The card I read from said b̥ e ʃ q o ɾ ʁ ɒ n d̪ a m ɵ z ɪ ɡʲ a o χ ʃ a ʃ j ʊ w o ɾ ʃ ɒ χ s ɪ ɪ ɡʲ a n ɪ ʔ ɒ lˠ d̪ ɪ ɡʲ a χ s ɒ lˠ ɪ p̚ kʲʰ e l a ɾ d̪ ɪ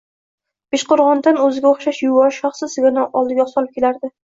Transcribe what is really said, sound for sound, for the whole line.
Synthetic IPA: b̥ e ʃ q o ɾ ʁ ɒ n d̪ a n ɵ z ɪ ɡʲ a o χ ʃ a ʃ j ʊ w ɒ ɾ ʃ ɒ χ s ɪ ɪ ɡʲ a n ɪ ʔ ɒ lˠ d̪ ɪ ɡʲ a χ s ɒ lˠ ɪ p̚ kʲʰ e l a ɾ d̪ ɪ